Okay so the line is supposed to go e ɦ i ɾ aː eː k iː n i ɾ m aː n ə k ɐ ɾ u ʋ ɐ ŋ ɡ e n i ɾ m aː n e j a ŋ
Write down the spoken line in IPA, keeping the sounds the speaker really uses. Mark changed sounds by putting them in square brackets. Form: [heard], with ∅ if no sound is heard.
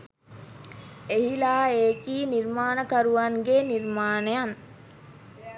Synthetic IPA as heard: e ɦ i [l] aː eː k iː n i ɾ m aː n ə k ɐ ɾ u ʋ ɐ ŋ ɡ e n i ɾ m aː n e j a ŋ